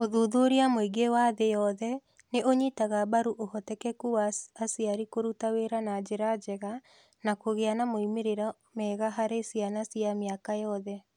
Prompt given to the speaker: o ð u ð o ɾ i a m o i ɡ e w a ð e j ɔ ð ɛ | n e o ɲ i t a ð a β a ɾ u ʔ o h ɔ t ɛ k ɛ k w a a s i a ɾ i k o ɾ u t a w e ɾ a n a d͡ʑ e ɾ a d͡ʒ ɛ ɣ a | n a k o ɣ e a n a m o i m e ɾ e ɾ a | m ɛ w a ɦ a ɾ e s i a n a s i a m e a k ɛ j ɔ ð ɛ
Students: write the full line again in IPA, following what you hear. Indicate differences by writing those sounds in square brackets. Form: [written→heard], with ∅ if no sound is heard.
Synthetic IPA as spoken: o ð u ð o ɾ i a m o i ɡ e w a ð e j ɔ ð ɛ | n e o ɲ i t a [ð→ɣ] a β a ɾ u ʔ o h ɔ t ɛ k ɛ k [w→u] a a s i a ɾ i k o ɾ u t a w e ɾ a n a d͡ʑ e ɾ a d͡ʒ ɛ ɣ a | n a k o ɣ e a n a m o i m e ɾ e ɾ a | m ɛ [w→ɣ] a ɦ a ɾ e s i a n a s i a m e a k [ɛ→a] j ɔ ð ɛ